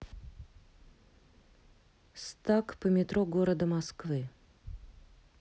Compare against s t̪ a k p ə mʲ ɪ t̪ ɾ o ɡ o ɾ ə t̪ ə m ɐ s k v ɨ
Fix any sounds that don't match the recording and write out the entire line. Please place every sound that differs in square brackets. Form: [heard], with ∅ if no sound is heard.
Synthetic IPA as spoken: s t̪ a k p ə mʲ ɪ t̪ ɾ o ɡ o ɾ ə [d̪] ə m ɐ s k v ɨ